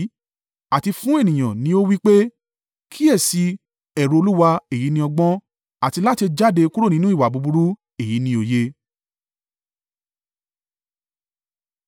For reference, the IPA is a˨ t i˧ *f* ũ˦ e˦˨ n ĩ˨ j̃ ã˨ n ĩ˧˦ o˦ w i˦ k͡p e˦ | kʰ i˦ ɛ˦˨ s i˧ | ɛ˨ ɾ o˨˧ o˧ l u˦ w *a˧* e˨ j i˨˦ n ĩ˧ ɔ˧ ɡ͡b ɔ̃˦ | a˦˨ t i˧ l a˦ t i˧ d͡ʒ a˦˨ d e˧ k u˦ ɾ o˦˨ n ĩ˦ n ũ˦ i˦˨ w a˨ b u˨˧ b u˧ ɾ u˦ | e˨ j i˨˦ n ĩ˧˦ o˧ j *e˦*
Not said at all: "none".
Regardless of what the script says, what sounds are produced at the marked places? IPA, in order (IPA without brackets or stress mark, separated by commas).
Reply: f, a˧, e˦